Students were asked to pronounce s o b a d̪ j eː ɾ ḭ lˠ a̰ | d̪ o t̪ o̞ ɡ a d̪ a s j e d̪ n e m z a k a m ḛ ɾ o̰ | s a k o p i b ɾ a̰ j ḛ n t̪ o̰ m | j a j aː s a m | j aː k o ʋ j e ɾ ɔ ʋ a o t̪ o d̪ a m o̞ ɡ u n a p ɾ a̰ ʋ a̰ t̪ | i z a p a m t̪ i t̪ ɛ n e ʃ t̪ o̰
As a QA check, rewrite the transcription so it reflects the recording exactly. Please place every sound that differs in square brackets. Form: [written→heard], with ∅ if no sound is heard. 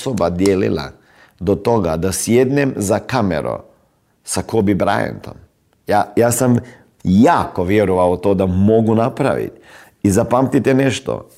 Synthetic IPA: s o b a d̪ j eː [ɾ→l] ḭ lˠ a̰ | d̪ o t̪ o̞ ɡ a d̪ a s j e d̪ n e m z a k a m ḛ ɾ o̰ | s a k o [p→b] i b ɾ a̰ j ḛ n t̪ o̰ m | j a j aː s a m | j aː k o ʋ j e ɾ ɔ ʋ a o t̪ o d̪ a m o̞ ɡ u n a p ɾ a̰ ʋ [a̰→ḭ] t̪ | i z a p a m t̪ i t̪ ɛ n e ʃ t̪ o̰